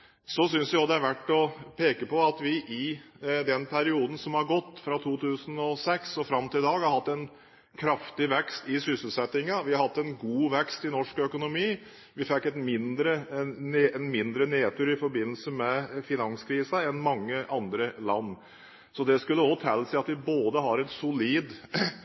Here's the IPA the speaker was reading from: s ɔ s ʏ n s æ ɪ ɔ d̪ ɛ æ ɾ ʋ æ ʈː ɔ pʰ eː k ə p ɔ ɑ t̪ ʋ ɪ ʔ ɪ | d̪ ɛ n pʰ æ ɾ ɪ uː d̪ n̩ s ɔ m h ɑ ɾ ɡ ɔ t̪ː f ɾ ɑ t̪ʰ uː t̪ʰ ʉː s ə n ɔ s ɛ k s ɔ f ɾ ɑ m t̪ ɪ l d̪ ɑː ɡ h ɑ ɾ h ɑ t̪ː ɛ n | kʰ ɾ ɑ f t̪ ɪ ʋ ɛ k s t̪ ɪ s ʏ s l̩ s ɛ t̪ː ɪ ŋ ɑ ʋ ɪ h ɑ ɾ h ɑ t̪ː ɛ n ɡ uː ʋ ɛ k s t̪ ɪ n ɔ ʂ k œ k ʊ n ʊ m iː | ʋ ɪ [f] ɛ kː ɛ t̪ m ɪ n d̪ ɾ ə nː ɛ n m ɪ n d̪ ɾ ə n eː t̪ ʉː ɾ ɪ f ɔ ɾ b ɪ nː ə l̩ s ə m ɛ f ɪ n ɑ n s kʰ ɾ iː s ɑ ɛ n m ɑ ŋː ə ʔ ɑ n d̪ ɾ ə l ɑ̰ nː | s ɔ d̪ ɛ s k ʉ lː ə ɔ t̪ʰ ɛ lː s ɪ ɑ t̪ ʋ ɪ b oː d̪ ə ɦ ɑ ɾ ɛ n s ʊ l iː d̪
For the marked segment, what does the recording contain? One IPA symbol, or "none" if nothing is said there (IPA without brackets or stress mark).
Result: f